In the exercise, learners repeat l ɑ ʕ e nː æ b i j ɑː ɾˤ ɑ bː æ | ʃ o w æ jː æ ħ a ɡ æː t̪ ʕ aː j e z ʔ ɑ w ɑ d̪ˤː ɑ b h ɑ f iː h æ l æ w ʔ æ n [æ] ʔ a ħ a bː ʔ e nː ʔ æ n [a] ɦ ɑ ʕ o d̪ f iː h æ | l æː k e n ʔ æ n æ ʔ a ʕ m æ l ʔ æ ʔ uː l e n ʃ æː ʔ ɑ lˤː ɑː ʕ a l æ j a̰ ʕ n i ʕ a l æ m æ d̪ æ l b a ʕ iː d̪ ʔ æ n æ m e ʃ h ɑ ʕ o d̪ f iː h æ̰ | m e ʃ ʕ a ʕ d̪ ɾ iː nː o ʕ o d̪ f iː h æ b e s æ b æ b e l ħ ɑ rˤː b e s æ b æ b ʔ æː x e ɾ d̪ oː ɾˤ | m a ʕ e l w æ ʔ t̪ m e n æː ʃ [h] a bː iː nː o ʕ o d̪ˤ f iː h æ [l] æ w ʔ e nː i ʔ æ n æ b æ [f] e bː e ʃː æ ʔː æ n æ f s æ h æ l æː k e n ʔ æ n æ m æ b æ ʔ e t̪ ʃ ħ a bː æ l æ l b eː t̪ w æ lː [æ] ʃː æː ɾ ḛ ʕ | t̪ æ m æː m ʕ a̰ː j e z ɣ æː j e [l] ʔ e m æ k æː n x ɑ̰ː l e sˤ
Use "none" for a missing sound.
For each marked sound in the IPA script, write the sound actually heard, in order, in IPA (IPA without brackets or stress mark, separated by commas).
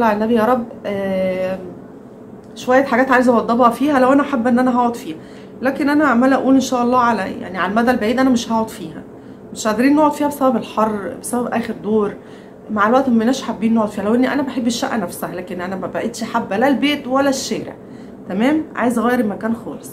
æ, æ, ħ, l, ħ, æ, ɾ